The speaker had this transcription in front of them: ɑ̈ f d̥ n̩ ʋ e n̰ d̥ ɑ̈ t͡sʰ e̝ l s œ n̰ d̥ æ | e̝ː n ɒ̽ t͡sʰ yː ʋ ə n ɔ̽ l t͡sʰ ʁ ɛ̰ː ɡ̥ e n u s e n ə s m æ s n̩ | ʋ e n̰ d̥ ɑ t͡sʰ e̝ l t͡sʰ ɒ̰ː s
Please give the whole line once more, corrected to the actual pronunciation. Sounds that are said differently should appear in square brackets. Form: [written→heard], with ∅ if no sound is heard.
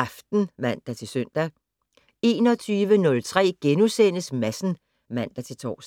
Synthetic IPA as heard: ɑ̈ f d̥ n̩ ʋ [e→æ] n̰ d̥ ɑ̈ t͡sʰ e̝ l s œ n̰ d̥ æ | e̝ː n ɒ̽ t͡sʰ yː ʋ ə n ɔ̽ l t͡sʰ ʁ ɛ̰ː ɡ̥ e n u s e n ə s m æ s n̩ | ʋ [e→æ] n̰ d̥ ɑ t͡sʰ e̝ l t͡sʰ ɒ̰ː s